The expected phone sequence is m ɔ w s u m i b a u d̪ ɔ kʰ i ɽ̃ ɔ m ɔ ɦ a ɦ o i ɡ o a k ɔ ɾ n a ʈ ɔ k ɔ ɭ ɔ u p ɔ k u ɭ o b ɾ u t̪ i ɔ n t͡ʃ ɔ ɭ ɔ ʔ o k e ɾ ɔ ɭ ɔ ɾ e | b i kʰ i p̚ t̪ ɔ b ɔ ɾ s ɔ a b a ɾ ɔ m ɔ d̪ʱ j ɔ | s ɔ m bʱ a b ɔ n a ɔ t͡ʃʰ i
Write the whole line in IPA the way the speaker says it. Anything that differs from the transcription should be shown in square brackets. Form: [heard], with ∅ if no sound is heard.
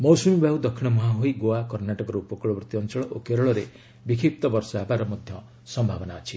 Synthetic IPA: m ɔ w s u m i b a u d̪ ɔ kʰ i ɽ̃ ɔ m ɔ ɦ a ɦ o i ɡ o a k ɔ ɾ n a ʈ ɔ k ɔ [ɾ] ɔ u p ɔ k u ɭ [ɔ] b ɾ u t̪ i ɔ n t͡ʃ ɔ ɭ ɔ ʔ o k e ɾ ɔ ɭ ɔ ɾ e | b i kʰ i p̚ t̪ ɔ b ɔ ɾ s ɔ a b a ɾ ɔ m ɔ d̪ʱ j ɔ | s ɔ m bʱ a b ɔ n a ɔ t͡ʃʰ i